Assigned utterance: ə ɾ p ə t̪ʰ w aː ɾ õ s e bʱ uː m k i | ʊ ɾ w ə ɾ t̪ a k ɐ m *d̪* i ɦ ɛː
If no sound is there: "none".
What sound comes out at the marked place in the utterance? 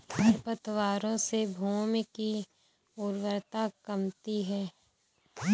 t̪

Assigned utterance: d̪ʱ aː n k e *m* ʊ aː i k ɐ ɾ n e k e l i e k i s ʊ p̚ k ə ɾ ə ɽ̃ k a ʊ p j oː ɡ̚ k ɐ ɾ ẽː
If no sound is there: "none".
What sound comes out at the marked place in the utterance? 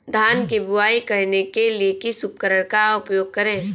b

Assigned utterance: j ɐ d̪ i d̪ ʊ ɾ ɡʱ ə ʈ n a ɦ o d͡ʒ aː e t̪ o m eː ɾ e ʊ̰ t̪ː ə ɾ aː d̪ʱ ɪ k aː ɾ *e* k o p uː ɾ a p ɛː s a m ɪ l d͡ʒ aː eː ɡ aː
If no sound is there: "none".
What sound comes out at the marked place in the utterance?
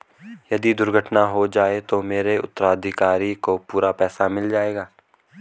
i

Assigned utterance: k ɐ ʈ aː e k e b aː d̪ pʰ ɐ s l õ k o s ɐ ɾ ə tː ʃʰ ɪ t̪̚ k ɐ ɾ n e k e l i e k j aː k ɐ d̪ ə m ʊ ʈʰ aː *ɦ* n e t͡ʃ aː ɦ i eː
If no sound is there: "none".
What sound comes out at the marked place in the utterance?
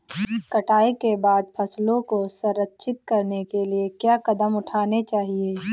none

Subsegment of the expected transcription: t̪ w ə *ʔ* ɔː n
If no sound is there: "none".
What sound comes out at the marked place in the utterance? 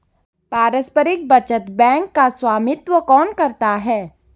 k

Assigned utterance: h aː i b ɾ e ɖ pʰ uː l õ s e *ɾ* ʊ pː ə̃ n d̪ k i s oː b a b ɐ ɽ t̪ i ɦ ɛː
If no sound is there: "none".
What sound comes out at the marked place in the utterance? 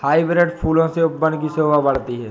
none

